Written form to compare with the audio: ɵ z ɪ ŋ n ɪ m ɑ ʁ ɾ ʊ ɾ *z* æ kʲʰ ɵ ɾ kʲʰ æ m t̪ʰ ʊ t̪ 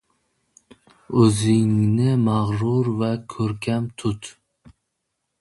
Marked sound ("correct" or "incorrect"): incorrect